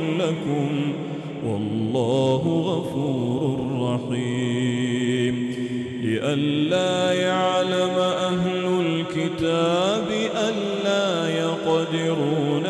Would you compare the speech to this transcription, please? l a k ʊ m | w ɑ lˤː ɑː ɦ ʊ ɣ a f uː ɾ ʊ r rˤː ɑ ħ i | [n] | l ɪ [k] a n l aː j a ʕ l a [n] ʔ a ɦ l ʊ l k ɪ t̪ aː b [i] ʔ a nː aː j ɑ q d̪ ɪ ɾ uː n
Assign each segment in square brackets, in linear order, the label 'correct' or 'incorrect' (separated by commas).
incorrect, incorrect, incorrect, incorrect